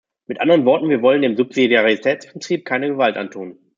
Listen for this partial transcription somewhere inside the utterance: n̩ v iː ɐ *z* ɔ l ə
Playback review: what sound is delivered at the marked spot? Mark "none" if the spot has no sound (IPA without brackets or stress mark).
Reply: v